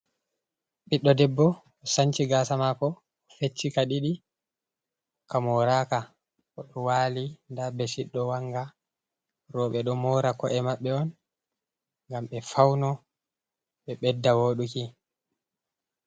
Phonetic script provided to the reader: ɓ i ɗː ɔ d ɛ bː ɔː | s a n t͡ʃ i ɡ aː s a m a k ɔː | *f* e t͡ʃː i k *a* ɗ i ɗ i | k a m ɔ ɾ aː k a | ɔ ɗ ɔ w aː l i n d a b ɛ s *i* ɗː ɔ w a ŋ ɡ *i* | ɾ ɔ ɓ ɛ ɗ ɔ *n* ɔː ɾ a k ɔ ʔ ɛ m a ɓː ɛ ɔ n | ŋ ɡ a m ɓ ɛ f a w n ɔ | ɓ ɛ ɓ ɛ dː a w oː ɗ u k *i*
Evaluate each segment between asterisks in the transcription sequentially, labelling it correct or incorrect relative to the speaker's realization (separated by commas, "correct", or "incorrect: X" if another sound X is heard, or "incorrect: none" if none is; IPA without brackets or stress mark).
correct, correct, correct, incorrect: a, incorrect: m, correct